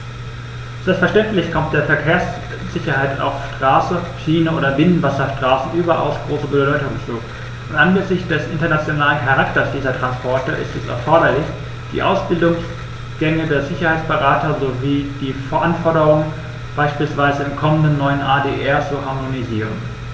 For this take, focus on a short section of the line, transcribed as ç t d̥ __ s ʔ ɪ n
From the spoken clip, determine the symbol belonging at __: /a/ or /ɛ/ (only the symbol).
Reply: ɛ